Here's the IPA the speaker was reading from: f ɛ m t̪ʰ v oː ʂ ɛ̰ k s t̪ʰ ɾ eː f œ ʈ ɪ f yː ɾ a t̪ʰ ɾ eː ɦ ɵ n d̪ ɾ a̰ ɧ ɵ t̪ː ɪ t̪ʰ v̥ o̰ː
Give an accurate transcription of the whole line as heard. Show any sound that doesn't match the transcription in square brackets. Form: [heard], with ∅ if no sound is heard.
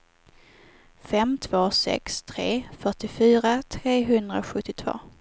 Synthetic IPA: f ɛ m t̪ʰ v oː [s] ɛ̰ k s t̪ʰ ɾ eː f œ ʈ ɪ f yː ɾ a t̪ʰ ɾ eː ɦ ɵ n d̪ ɾ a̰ ɧ ɵ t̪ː ɪ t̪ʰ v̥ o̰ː